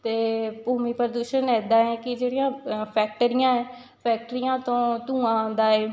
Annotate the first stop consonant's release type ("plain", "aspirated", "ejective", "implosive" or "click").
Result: plain